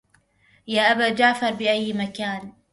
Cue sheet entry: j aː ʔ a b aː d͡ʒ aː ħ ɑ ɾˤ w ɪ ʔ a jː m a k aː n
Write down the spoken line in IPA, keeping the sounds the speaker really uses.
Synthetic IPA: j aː ʔ a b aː d͡ʒ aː f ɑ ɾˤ b ɪ ʔ a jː m a k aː n